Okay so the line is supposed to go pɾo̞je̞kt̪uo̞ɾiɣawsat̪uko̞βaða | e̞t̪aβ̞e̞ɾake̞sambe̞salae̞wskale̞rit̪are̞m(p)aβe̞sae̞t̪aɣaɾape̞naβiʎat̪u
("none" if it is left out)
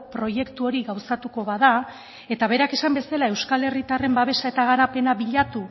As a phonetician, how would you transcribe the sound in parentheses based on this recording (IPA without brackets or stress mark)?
b